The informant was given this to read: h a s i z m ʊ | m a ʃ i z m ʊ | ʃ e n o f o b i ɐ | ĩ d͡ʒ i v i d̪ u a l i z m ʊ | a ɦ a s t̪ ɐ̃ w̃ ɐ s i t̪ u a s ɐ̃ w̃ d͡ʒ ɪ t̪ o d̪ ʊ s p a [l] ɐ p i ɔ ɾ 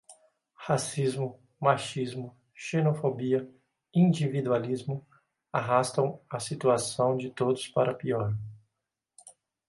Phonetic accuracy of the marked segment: incorrect: ɾ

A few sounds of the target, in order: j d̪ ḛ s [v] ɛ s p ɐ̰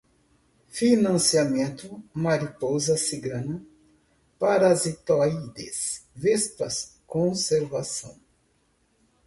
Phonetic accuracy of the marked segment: correct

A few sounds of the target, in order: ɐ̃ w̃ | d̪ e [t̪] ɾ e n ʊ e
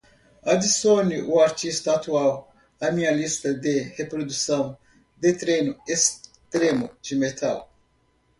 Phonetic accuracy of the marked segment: correct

